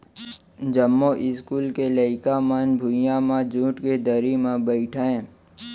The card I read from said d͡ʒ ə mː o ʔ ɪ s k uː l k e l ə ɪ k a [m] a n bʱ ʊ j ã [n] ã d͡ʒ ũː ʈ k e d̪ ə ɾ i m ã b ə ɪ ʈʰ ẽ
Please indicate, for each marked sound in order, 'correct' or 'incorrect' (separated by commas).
correct, incorrect